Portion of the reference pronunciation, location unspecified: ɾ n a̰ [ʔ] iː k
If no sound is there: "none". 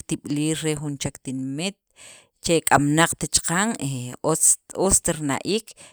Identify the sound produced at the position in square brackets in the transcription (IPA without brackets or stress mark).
ʔ